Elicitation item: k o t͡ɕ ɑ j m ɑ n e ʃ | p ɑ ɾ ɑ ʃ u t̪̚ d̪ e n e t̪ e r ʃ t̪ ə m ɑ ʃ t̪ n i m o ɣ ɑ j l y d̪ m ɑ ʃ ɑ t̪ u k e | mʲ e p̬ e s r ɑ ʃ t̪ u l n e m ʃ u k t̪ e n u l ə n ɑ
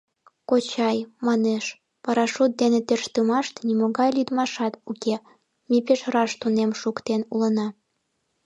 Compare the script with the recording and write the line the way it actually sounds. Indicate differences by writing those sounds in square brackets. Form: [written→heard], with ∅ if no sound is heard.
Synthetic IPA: k o t͡ɕ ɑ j m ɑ n e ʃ | p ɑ ɾ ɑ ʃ u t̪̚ d̪ e n e t̪ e r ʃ t̪ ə m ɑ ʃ t̪ n i m o ɣ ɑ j l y d̪ m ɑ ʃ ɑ t̪ u k e | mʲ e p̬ e [s→ʃ] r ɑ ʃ t̪ u [l→∅] n e m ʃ u k t̪ e n u l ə n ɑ